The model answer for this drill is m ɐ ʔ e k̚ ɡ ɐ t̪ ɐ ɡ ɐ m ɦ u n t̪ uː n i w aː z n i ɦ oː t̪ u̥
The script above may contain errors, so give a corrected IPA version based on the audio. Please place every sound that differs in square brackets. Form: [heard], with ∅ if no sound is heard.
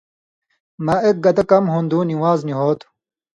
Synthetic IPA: m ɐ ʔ e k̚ ɡ ɐ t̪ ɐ [k] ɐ m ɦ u n [d̪] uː n i w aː z n i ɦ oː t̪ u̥